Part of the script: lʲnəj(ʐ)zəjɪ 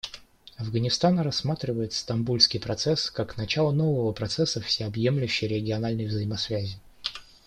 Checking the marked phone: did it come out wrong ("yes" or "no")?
yes